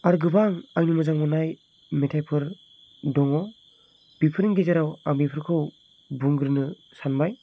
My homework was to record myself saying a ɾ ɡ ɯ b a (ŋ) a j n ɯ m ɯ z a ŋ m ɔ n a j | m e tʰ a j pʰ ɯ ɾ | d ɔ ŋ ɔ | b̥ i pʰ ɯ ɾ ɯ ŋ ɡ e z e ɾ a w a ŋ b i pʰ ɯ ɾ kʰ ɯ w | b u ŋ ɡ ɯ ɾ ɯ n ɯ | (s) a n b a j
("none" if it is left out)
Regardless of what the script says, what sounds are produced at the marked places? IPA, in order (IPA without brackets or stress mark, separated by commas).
ŋ, s